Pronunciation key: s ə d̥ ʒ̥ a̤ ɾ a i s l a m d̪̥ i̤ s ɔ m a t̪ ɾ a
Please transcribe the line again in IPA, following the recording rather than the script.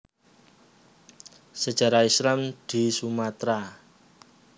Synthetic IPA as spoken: s ə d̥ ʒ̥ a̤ ɾ a i s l a m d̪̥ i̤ s u m a t̪ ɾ a